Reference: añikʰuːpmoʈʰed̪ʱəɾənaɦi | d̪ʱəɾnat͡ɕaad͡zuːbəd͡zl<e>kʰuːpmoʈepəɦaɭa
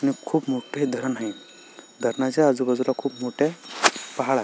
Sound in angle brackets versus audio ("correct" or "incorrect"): incorrect